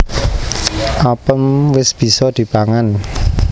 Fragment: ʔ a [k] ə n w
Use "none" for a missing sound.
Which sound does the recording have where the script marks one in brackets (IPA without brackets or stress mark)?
p